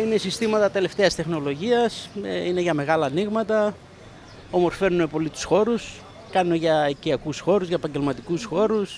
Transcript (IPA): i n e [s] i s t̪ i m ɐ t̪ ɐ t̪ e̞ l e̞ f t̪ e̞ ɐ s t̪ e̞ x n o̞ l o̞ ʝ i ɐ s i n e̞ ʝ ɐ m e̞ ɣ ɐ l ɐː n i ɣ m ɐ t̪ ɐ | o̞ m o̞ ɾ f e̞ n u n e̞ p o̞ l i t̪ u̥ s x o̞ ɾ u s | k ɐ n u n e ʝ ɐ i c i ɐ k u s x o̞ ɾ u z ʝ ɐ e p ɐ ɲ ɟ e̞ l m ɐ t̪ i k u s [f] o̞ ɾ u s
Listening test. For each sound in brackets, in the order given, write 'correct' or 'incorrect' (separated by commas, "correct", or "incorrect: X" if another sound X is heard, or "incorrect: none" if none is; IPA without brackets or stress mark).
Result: correct, incorrect: x